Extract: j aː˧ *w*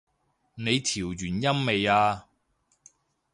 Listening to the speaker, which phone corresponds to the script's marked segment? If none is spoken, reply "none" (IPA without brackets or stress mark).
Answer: none